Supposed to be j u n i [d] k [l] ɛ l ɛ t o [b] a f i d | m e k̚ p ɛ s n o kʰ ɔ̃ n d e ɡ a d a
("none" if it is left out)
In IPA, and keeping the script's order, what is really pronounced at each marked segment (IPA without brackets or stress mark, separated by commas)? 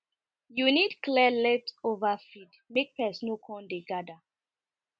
d, l, v